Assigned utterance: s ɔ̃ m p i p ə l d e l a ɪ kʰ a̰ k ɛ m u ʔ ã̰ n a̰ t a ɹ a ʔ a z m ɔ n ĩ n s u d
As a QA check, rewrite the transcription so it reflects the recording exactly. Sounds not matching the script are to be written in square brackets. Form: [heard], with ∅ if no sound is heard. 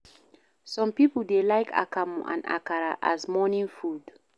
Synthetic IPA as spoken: s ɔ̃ m p i p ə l d e l a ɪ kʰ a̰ k [a] m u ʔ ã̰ n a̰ [k] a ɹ a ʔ a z m ɔ n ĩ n [f] u d